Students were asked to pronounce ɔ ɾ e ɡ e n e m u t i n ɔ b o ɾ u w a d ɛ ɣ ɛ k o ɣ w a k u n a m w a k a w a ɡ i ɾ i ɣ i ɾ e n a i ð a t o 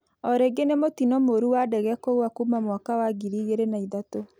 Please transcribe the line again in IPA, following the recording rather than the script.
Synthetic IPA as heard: ɔ ɾ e ɡ e n e m o t i n ɔ m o ɾ u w a d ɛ ɣ ɛ k o ɣ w a k u m a m w a k a w a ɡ i ɾ i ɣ e ɾ e n a i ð a t o